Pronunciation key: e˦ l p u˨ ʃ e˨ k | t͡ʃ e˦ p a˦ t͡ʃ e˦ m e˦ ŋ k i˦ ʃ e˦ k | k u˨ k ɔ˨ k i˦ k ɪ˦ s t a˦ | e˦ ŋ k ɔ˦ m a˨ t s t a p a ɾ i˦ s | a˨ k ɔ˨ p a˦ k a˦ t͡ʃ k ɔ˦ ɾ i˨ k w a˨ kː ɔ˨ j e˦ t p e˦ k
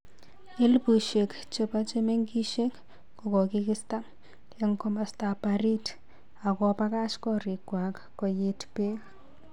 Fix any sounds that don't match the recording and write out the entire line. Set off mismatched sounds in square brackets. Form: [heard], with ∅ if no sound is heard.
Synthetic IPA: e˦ l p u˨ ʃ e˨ k | t͡ʃ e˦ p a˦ t͡ʃ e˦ m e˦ ŋ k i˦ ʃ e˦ k | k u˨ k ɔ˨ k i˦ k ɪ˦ s t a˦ | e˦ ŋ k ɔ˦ m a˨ [∅] s t a p a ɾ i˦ [t] | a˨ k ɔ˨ p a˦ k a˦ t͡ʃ k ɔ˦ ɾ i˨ k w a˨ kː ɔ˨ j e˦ t p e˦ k